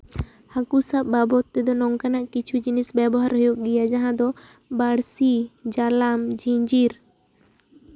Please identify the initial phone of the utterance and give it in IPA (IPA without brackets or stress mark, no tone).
h